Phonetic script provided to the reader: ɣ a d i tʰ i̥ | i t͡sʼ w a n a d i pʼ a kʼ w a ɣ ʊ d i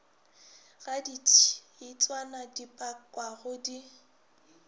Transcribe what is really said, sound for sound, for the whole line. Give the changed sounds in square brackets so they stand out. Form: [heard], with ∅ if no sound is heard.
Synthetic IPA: ɣ a d i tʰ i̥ | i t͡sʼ w a n a d i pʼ a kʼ w a ɣ ʊ d i